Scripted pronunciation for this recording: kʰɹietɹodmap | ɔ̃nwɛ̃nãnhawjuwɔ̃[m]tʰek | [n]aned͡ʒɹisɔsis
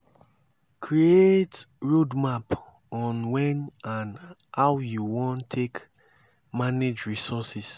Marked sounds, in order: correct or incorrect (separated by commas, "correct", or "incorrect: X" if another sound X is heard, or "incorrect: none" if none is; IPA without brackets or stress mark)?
incorrect: n, incorrect: m